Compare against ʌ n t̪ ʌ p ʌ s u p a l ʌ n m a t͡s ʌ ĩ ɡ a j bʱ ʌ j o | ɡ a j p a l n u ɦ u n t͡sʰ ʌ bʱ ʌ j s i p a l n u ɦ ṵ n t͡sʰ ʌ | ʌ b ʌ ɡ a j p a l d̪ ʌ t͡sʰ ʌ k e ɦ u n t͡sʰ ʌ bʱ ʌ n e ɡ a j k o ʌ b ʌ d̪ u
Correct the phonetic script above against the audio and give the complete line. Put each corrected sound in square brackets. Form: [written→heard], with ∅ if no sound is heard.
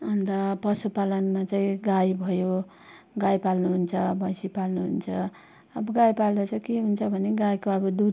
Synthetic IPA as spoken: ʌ n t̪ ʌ p ʌ s u p a l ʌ n m a t͡s [ʌ→a] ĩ ɡ a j bʱ ʌ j o | ɡ a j p a l n u ɦ u n t͡sʰ ʌ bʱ ʌ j s i p a l n u ɦ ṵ n t͡sʰ ʌ | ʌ b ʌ ɡ a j p a l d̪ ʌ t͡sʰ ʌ k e ɦ u n t͡sʰ ʌ bʱ ʌ n e ɡ a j k o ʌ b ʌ d̪ u